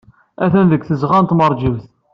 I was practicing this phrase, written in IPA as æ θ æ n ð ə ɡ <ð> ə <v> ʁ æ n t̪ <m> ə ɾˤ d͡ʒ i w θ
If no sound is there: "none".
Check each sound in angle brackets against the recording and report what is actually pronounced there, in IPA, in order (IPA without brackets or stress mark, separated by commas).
θ, z, m